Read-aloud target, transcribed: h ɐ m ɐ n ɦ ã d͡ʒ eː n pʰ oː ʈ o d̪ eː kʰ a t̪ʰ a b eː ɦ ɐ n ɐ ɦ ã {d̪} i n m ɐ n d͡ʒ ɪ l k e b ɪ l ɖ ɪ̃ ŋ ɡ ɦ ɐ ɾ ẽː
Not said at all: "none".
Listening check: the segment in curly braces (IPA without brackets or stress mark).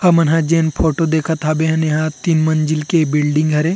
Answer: t̪